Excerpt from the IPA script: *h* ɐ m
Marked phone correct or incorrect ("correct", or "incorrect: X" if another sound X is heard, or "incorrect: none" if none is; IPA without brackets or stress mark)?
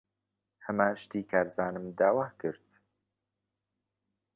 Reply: correct